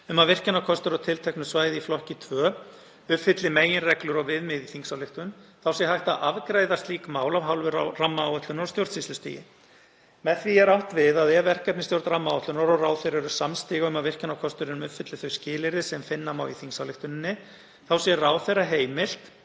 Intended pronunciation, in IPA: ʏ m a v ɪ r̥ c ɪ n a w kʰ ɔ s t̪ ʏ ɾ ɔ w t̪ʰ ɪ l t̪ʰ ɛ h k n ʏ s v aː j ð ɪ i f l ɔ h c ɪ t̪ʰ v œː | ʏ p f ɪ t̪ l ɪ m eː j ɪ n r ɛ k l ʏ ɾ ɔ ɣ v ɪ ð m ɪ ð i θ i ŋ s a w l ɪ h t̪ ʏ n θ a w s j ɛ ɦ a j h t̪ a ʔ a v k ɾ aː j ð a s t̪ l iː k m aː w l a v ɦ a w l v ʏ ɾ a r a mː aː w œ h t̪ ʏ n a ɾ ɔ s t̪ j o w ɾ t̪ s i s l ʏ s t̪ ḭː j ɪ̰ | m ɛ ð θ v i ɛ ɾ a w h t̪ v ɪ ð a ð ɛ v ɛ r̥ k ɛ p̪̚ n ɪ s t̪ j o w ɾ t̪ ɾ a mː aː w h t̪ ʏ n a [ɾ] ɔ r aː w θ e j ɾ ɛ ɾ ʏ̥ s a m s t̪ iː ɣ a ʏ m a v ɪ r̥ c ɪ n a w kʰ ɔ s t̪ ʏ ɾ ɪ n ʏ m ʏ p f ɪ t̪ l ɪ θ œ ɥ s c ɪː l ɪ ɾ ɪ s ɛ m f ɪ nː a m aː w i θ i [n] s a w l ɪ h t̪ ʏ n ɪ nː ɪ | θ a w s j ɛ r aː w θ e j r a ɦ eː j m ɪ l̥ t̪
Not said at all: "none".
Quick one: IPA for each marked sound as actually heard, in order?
ɾ, ŋ

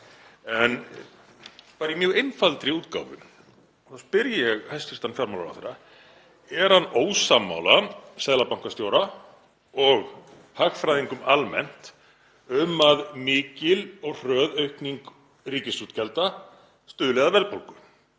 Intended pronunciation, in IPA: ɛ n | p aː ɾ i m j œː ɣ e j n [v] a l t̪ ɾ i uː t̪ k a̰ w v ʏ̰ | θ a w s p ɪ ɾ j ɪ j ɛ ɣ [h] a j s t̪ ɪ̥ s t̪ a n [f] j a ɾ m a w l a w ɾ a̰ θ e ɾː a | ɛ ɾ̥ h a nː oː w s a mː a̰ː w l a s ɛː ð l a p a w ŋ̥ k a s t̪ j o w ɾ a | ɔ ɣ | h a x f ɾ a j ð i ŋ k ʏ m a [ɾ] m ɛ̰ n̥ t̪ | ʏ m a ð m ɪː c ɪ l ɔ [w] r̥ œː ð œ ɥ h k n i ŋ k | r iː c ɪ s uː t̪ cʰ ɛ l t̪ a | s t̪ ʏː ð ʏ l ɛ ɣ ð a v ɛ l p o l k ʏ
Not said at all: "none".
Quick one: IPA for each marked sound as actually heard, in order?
f, h, f, l, ɣ

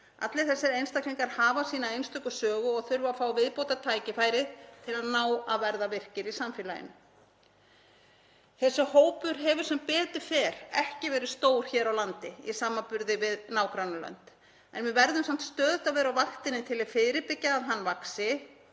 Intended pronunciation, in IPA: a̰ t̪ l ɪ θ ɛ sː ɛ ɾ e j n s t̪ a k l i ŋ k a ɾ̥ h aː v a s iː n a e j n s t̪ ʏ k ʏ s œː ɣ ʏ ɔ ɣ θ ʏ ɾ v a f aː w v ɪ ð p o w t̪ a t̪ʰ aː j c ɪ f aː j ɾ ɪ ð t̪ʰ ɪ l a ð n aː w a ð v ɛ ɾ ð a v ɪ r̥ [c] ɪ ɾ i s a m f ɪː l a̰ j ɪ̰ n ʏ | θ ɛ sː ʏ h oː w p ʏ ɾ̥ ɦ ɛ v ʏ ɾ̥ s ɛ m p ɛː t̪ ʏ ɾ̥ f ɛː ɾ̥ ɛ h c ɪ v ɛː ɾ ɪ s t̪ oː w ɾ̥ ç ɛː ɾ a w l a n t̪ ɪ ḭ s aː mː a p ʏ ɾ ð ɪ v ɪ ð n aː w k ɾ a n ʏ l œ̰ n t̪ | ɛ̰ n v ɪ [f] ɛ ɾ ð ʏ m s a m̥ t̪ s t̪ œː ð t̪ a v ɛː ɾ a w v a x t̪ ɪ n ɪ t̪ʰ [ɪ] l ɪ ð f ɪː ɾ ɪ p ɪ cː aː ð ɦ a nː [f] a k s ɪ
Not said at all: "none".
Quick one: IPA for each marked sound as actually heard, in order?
c, v, ɪ, v

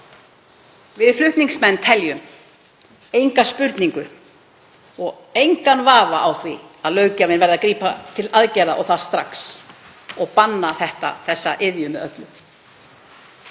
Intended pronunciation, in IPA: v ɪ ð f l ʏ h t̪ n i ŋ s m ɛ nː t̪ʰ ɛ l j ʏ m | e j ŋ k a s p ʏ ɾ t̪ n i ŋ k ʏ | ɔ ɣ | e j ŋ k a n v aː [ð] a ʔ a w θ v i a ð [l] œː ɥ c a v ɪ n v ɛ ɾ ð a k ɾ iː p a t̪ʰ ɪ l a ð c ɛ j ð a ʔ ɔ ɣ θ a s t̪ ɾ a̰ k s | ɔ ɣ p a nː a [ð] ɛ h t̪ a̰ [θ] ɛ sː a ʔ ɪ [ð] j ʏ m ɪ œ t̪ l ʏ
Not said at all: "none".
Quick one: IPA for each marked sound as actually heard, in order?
v, l, θ, θ, ð

